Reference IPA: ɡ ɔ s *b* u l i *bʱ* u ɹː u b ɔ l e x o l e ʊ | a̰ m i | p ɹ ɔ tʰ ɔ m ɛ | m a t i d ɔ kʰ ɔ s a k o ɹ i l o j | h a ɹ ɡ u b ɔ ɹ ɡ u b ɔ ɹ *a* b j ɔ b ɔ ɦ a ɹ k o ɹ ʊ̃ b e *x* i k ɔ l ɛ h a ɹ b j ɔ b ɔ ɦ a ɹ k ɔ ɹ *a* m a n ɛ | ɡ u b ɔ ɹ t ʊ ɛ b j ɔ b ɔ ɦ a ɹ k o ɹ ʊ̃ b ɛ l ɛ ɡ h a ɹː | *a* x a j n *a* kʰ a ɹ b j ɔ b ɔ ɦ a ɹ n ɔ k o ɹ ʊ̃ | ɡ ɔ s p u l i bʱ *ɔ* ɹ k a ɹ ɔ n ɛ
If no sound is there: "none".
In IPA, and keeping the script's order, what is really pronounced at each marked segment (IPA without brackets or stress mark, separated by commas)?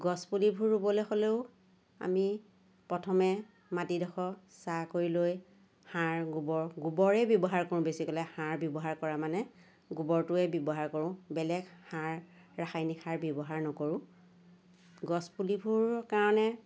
p, bʱ, ɛ, s, a, a, i, u